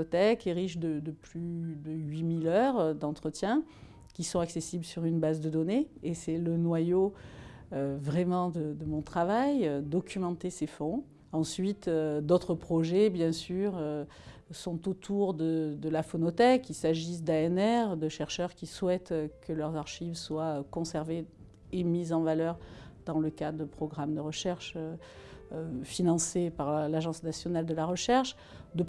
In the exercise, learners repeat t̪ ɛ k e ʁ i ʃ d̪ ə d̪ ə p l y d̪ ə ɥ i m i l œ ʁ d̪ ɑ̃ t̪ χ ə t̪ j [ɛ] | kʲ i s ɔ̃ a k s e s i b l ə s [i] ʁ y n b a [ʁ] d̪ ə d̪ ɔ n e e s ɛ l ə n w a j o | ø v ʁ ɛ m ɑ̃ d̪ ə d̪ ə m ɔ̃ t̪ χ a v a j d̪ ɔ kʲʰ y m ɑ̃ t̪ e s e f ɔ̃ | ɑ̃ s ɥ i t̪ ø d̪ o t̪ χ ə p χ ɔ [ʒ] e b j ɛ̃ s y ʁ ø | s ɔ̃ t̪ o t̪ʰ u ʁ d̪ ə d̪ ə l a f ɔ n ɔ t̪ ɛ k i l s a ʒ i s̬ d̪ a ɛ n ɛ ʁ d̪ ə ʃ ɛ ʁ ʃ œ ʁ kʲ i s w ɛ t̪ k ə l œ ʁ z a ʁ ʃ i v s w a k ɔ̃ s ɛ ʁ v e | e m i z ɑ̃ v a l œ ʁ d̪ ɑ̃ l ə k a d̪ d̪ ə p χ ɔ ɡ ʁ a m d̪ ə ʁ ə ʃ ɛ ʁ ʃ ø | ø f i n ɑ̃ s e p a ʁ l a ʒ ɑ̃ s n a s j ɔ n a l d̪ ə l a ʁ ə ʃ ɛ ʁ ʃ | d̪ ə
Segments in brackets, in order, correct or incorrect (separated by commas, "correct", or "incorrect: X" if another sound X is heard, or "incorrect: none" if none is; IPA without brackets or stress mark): incorrect: ɛ̃, incorrect: y, incorrect: z, correct